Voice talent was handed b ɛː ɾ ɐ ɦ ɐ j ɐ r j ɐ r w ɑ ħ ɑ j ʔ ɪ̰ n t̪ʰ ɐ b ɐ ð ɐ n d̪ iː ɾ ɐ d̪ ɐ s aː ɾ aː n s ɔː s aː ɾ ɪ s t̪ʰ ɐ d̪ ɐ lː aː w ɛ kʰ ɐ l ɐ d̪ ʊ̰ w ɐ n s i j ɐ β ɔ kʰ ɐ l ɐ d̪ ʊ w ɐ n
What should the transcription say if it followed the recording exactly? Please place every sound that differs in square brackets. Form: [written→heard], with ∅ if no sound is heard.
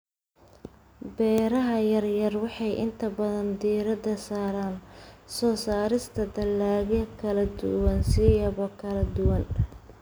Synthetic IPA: b ɛː ɾ ɐ ɦ ɐ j ɐ r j ɐ r w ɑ ħ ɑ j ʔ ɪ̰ n t̪ʰ ɐ b ɐ ð ɐ n d̪ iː ɾ ɐ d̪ ɐ s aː ɾ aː n s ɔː s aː ɾ ɪ s t̪ʰ ɐ d̪ ɐ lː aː [w→ɣ] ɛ kʰ ɐ l ɐ d̪ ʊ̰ w ɐ n s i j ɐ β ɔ kʰ ɐ l ɐ d̪ ʊ w ɐ n